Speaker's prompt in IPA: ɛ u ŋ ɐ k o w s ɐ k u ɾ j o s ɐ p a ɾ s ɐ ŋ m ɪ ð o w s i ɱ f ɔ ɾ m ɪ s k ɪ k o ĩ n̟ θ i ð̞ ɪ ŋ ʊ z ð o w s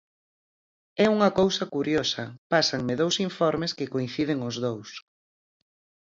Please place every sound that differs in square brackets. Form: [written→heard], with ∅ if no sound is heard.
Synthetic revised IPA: ɛ u ŋ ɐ k o w s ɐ k u ɾ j o s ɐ p a [ɾ→∅] s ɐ ŋ m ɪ ð o w s i ɱ f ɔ ɾ m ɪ s k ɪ k o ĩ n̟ θ i ð̞ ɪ ŋ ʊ z ð o w s